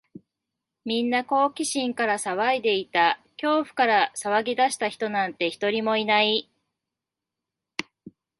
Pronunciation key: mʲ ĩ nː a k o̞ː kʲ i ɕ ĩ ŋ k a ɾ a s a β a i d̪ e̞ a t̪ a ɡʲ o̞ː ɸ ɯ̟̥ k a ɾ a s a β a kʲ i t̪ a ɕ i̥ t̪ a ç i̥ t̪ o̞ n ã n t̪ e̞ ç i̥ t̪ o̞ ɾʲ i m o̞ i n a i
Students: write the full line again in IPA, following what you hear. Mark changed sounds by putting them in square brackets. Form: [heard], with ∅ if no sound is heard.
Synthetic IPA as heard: mʲ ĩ nː a k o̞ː kʲ i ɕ ĩ ŋ k a ɾ a s a β a i d̪ e̞ [i] t̪ a [kʲ] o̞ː ɸ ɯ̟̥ k a ɾ a s a β a [ɡʲ] i [d̪] a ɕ i̥ t̪ a ç i̥ t̪ o̞ n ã n t̪ e̞ ç i̥ t̪ o̞ ɾʲ i m o̞ i n a i